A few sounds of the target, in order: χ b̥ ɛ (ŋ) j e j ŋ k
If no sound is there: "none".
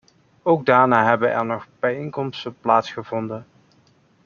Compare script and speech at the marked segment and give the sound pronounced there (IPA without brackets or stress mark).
none